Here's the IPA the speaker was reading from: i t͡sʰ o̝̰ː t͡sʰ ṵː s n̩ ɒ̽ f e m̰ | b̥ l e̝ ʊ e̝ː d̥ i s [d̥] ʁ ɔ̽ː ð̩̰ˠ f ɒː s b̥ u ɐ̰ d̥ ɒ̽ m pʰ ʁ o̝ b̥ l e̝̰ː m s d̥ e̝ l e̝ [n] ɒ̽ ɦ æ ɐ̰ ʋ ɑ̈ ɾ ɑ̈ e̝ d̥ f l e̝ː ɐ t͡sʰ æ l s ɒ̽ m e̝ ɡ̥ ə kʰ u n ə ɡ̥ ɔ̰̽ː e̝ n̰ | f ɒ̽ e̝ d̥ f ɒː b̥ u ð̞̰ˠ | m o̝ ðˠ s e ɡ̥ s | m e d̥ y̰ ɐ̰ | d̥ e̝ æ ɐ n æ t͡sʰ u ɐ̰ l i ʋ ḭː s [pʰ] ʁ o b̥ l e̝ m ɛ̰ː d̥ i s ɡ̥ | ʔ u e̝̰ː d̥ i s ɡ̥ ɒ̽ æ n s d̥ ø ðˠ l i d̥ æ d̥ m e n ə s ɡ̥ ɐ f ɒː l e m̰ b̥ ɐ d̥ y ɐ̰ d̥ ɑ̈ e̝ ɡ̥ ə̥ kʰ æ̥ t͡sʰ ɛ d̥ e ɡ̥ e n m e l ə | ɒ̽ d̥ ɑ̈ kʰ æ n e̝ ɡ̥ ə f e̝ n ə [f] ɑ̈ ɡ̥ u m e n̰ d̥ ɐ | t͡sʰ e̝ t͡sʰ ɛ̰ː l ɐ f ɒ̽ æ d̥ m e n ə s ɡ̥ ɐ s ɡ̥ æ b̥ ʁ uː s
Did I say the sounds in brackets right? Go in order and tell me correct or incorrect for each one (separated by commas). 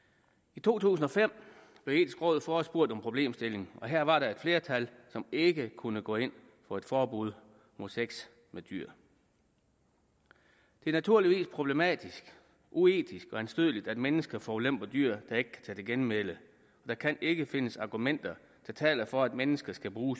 incorrect, incorrect, correct, incorrect